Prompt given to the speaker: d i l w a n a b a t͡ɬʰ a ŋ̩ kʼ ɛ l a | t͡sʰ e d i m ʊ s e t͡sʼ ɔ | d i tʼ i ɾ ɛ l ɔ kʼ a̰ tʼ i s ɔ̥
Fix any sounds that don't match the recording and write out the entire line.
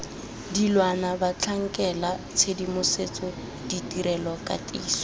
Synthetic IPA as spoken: d i l w a n a b a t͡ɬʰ a ŋ̩ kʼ ɛ l a | t͡sʰ e d i m ʊ s e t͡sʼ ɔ | d i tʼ i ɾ ɛ l ɔ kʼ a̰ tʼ iː s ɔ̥